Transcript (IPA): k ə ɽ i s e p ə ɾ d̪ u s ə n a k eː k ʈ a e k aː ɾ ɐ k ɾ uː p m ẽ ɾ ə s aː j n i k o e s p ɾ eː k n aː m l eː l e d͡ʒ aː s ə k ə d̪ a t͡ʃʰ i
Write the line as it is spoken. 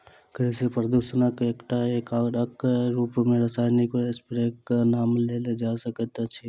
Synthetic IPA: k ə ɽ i s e p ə ɾ d̪ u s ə n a k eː k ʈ a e k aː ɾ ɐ k ɾ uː p m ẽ ɾ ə s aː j n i k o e s p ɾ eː k n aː m l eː l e d͡ʒ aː s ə k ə t̪ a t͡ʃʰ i

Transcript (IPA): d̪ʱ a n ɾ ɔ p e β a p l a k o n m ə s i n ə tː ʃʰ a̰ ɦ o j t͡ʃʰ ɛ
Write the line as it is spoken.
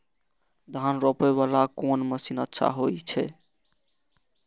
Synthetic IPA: d̪ʱ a n ɾ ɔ p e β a l a k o n m ə s i n ə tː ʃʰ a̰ ɦ o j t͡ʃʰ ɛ

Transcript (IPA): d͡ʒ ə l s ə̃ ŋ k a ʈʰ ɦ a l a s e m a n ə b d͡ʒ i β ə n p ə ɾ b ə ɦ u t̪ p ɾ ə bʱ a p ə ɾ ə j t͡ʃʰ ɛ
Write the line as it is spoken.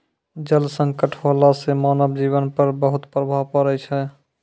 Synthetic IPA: d͡ʒ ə l s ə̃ ŋ k ə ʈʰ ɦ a l a s e m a n ə b d͡ʒ i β ə n p ə ɾ b ə ɦ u t̪ p ɾ ə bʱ a p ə ɾ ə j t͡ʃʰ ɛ

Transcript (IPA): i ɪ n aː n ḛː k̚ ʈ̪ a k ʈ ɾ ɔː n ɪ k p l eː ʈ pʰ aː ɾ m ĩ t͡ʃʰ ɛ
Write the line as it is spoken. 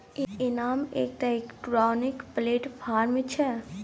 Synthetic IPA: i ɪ n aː m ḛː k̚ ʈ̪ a k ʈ ɾ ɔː n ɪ k p l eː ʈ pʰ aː ɾ m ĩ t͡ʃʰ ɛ

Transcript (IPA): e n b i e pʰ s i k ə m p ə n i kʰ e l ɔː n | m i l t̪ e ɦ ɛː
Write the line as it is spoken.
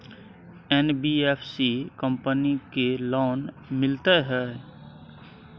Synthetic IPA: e n b i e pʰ s i k ə m p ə n i k e l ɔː n | m ɪ l t̪ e ɦ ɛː

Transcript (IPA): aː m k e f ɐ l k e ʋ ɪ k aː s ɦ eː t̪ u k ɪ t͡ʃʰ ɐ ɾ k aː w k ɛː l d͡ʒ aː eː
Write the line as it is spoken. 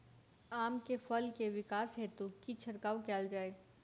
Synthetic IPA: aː m k e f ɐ l k e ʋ ɪ k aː s ɦ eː t̪ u k i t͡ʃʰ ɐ ɾ k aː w k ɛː l d͡ʒ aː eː

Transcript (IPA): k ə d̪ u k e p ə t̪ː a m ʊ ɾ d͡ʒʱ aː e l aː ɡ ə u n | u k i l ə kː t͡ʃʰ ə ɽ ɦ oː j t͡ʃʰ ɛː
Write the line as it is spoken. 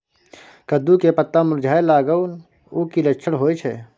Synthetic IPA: k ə d̪ u k e p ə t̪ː a m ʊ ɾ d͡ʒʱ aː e l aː ɡ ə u n | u k i l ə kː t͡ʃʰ ə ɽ ɦ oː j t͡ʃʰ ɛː

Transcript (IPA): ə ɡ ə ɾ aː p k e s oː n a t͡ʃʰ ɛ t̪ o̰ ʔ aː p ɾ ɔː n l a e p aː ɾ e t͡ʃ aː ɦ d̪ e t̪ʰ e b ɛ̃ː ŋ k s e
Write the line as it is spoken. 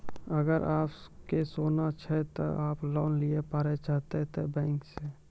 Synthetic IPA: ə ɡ ə ɾ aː p k e s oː n a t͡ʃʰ ɛ t̪ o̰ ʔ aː p l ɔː n l i e p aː ɾ e t͡ʃ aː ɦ t̪ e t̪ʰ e b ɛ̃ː ŋ k s e

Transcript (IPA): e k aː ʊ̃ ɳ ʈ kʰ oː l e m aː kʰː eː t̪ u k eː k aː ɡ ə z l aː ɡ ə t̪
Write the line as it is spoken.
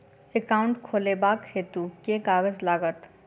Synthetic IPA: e k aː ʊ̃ ɳ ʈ kʰ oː l e b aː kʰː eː t̪ u k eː k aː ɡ ə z l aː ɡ ə t̪

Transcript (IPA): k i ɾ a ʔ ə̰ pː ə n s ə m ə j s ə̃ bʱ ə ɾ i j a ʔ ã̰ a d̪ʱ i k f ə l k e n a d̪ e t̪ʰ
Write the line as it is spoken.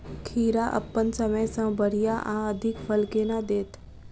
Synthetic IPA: kʰ i ɾ a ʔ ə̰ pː ə n s ə m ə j s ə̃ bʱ ə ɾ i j a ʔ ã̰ ə d̪ʱ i k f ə l k e n a d̪ e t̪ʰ

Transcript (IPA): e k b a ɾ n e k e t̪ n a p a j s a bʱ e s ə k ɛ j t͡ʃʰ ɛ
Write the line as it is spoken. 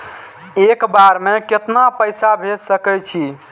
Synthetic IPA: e k b a ɾ m e k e t̪ n a p ə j s a bʱ e s ə k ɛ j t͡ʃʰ i

